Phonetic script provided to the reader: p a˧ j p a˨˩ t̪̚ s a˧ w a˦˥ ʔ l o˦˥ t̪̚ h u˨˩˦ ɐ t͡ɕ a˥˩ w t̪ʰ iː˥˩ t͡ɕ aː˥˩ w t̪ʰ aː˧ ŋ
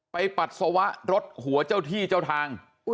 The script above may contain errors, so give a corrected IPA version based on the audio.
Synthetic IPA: p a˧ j p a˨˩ t̪̚ s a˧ w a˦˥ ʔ ɾ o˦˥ t̪̚ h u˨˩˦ ɐ t͡ɕ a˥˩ w t̪ʰ iː˥˩ t͡ɕ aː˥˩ w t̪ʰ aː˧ ŋ